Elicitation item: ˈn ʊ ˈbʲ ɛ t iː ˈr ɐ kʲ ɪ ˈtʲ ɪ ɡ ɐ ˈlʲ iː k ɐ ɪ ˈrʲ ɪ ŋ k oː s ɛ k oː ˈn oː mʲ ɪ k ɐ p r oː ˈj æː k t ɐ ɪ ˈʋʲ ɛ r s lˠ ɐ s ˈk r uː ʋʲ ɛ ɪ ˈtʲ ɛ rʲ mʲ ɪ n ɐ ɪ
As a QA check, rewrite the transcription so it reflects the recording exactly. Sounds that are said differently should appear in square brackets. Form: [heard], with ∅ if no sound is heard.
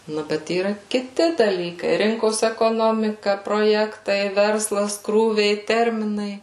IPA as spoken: ˈn ʊ ˈbʲ ɛ t iː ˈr ɐ kʲ ɪ ˈtʲ ɪ [d] ɐ ˈlʲ iː k ɐ ɪ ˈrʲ ɪ ŋ k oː s ɛ k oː ˈn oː mʲ ɪ k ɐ p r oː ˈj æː k t ɐ ɪ ˈʋʲ ɛ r s lˠ ɐ s ˈk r uː ʋʲ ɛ ɪ ˈtʲ ɛ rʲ mʲ ɪ n ɐ ɪ

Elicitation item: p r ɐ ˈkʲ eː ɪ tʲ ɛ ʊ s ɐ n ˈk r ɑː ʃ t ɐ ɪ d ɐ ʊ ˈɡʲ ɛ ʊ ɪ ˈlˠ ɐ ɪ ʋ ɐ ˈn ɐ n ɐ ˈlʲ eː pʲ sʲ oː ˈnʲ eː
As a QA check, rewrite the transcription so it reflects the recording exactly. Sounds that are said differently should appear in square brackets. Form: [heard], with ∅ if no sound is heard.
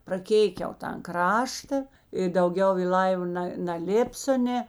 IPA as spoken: p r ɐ ˈkʲ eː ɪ [kʲ] ɛ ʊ [t] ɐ n ˈk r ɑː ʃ t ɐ ɪ d ɐ ʊ ˈɡʲ ɛ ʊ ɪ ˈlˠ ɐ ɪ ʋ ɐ ˈn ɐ n ɐ ˈlʲ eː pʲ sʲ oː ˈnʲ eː

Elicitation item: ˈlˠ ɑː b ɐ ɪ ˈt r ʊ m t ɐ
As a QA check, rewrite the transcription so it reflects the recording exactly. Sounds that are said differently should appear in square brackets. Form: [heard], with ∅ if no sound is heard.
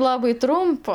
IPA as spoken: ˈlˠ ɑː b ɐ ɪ ˈt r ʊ m [p] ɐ

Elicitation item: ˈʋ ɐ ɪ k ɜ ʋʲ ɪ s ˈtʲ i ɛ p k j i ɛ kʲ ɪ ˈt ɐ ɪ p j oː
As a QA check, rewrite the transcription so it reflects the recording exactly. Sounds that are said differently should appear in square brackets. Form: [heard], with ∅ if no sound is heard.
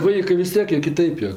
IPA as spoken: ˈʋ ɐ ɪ k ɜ ʋʲ ɪ s ˈtʲ i ɛ [∅] k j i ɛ kʲ ɪ ˈt ɐ ɪ p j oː

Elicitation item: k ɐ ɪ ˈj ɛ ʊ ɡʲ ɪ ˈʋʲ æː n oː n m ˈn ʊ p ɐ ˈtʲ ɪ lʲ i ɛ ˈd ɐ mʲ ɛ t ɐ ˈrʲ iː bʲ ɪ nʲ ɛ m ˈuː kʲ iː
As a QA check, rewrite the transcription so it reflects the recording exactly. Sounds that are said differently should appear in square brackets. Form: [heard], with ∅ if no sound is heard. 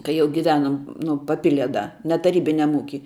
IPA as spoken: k ɐ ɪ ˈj ɛ ʊ ɡʲ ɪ ˈʋʲ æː n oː [∅] m ˈn ʊ p ɐ [ˈpʲ] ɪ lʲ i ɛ ˈd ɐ [nʲ] ɛ t ɐ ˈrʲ iː bʲ ɪ nʲ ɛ m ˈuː kʲ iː

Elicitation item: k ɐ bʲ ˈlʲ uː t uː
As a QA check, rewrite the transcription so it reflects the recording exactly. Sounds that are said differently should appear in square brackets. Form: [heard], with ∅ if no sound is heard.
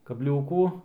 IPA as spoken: k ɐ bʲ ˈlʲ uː [k] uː

